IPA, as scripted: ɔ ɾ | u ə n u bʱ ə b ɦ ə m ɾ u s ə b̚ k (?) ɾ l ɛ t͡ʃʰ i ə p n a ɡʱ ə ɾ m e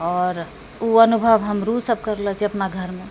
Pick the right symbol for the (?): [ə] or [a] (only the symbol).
ə